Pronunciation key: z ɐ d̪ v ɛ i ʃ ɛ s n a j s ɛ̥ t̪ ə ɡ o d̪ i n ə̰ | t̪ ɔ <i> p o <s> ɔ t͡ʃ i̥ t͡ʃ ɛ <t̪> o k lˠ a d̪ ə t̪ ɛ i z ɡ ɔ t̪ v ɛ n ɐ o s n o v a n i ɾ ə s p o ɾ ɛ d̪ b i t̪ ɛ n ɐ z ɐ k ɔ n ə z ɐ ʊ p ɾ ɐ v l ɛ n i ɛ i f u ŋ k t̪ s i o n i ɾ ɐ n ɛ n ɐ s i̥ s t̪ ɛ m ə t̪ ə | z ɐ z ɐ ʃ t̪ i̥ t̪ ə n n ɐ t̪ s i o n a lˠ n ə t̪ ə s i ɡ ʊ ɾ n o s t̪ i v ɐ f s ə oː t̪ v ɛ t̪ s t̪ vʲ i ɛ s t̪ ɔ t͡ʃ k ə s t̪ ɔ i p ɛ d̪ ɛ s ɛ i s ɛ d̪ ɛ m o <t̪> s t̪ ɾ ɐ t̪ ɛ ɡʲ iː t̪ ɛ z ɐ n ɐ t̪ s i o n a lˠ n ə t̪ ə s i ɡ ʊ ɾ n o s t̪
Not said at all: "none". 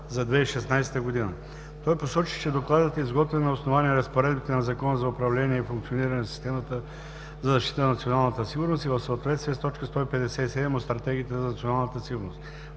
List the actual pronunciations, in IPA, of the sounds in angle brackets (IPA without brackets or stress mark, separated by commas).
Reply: j, s, d̪, t̪